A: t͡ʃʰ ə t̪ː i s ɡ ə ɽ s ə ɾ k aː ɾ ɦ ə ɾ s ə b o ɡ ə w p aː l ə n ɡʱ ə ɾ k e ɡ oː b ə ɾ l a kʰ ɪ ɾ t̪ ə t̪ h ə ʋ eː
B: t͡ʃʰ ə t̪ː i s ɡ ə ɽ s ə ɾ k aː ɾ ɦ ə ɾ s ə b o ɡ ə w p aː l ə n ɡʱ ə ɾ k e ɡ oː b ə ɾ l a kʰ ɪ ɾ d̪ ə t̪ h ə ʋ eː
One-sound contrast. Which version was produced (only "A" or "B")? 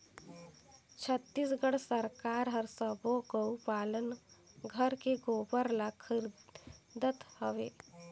B